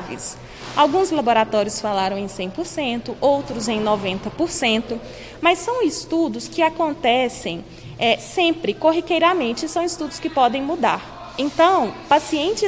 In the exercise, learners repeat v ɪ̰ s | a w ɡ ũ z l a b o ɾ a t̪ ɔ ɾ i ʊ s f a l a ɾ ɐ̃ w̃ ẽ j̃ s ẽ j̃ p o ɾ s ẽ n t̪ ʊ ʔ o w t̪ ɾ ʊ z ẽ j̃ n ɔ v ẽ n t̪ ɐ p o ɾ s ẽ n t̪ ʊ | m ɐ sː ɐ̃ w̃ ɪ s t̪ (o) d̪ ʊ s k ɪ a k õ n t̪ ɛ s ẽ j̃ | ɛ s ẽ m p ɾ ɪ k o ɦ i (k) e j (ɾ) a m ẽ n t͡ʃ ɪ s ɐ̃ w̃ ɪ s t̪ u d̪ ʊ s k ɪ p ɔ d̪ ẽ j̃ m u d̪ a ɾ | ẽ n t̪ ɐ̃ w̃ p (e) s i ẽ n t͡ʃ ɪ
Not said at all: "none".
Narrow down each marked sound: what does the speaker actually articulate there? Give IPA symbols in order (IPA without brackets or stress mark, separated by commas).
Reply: u, k, ɾ, a